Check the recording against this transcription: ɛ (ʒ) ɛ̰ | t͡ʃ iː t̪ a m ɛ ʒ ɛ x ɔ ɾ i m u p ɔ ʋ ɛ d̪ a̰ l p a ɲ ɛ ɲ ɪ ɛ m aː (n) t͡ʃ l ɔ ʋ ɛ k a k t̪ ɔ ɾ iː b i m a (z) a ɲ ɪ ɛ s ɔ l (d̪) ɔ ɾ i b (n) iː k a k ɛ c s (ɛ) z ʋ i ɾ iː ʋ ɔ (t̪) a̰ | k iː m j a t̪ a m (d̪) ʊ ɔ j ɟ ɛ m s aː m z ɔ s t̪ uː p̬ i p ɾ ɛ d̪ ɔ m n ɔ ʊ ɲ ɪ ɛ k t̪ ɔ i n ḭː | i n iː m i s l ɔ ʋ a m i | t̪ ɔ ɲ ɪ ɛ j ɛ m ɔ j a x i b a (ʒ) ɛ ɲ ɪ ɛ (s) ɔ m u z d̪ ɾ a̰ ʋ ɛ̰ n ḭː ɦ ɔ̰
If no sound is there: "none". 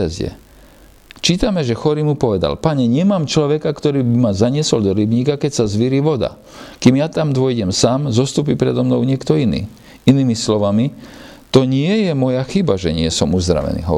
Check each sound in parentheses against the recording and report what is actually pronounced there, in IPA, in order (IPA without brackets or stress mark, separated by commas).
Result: z, m, z, d̪, ɲ, a, d̪, d̪, ʒ, s